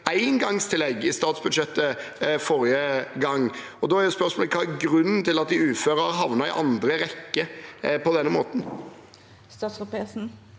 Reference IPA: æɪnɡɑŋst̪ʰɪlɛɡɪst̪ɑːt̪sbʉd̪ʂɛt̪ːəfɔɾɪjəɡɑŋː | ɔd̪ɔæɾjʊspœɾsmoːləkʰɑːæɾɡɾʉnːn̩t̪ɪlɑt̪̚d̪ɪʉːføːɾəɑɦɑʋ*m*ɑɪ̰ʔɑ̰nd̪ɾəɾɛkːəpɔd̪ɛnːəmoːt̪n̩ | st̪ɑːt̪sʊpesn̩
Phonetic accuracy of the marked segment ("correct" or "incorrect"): incorrect